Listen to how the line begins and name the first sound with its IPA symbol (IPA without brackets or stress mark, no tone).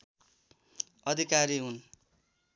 ʌ